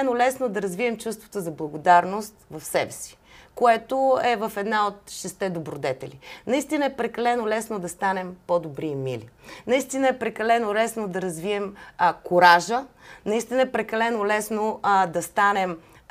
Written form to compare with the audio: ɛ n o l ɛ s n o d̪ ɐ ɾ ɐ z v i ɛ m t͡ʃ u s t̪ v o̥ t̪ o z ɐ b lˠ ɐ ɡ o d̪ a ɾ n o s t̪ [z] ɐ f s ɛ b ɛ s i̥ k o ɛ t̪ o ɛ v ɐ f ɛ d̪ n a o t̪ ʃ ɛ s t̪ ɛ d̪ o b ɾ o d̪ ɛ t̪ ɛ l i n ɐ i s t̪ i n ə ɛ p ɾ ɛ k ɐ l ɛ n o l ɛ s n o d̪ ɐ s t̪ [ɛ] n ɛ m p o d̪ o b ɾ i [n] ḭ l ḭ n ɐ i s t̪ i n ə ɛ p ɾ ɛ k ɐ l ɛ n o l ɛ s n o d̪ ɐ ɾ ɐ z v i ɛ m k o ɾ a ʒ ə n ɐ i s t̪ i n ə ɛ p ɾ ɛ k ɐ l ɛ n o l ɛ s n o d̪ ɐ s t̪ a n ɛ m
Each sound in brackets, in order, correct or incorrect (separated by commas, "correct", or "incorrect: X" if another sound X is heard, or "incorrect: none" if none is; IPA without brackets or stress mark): incorrect: v, incorrect: a, incorrect: m